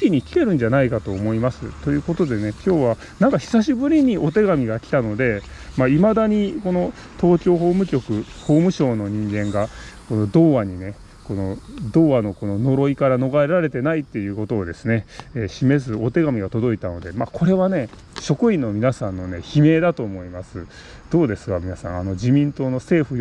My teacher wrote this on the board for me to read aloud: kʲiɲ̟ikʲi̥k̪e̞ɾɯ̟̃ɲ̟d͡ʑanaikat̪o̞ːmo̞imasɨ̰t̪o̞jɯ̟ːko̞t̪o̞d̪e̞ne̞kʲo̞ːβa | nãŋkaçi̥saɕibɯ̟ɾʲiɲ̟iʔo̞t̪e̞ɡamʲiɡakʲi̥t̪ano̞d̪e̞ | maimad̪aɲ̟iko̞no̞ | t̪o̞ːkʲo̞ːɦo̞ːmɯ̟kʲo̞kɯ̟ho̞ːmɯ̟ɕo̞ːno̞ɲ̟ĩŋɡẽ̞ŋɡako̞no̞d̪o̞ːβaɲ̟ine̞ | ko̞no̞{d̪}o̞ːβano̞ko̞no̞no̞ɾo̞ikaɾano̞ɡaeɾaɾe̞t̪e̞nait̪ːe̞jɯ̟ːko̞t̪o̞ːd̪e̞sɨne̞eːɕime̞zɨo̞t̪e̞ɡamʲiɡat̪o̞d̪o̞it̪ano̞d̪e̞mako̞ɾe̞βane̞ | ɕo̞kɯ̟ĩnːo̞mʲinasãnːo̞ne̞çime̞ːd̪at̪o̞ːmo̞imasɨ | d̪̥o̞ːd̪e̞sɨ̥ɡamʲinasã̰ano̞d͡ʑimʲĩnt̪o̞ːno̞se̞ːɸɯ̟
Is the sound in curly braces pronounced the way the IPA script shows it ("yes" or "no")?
yes